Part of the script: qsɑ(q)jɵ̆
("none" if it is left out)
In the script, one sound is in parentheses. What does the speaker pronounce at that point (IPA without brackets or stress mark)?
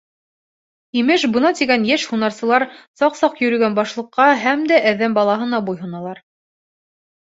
q